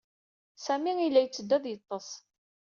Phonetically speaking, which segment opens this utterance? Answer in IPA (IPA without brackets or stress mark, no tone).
s